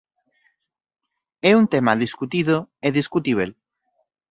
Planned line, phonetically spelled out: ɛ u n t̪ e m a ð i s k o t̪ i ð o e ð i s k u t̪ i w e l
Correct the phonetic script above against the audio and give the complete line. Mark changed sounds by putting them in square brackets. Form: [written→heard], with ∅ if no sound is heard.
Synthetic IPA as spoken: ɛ u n t̪ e m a ð i s k [o→u] t̪ i ð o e ð i s k u t̪ i [w→β] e l